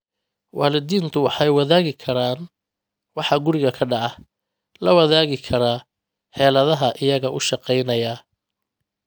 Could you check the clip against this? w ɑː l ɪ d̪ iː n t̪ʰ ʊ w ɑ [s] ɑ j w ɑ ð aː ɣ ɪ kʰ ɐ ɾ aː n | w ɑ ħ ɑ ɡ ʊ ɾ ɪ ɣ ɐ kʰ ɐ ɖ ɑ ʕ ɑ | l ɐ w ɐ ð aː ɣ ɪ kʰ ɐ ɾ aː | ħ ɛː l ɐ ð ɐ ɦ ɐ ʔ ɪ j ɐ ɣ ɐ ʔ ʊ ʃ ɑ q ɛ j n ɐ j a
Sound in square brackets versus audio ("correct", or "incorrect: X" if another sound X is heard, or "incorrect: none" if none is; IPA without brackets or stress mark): incorrect: ħ